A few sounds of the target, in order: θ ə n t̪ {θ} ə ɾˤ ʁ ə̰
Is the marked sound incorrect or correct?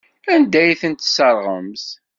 incorrect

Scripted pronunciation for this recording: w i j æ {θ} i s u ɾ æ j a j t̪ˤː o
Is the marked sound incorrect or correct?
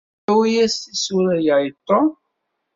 incorrect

